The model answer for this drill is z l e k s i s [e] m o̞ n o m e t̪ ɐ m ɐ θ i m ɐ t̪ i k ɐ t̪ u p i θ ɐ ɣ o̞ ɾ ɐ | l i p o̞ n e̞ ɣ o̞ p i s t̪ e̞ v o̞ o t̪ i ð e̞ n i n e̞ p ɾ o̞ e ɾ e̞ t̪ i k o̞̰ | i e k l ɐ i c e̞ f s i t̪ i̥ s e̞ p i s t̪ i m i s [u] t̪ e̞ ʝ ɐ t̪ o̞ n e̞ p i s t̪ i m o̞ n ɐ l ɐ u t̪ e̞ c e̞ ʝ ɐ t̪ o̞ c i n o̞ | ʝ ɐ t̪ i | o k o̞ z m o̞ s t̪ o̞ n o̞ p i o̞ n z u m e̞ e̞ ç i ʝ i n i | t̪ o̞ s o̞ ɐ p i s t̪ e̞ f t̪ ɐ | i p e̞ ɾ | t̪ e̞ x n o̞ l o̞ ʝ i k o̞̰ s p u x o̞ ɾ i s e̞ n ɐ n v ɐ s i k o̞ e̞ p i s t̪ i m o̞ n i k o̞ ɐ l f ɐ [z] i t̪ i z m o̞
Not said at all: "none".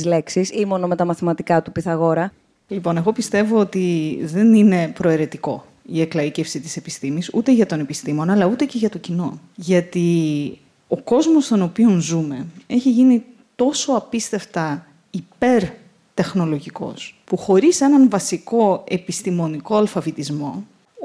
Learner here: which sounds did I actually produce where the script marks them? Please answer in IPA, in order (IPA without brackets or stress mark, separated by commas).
i, u, v